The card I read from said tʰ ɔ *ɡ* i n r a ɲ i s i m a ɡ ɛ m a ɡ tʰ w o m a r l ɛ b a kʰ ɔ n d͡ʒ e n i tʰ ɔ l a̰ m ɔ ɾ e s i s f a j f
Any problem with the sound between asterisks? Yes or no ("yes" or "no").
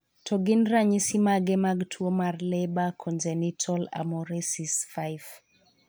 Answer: no